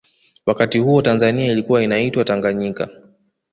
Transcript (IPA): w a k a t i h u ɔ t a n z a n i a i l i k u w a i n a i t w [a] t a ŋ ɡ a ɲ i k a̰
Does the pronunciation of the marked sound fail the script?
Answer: no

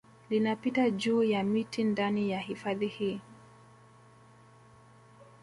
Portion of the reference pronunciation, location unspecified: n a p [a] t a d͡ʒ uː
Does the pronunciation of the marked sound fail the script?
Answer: yes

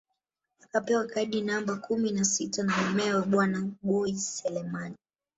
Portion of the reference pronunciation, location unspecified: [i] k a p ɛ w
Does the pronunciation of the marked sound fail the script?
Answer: yes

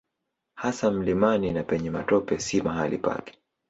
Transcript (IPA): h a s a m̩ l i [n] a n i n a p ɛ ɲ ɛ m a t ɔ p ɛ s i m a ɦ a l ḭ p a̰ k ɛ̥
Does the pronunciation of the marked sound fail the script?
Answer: yes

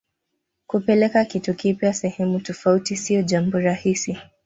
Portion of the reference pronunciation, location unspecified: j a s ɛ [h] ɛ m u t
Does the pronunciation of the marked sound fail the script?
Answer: no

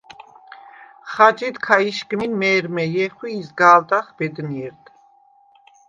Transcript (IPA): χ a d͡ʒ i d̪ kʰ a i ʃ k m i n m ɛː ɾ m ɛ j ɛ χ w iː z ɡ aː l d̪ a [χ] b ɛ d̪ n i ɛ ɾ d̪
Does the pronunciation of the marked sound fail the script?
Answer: no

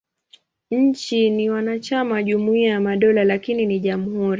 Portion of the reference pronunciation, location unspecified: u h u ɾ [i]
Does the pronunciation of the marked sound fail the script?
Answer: no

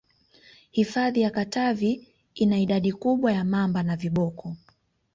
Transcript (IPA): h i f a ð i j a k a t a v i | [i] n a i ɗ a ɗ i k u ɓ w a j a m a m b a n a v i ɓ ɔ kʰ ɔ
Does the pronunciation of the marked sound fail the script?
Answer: no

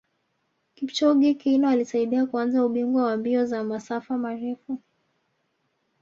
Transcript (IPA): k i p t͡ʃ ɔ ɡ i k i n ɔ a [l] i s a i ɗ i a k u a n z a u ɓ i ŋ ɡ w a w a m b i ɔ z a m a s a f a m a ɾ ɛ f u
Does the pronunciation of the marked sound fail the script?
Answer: no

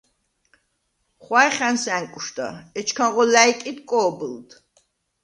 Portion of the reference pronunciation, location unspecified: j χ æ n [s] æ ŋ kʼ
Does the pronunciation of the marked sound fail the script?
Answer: no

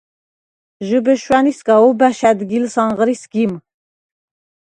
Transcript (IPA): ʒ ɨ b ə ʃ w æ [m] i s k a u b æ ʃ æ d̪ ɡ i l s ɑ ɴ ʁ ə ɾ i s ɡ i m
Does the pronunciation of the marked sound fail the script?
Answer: yes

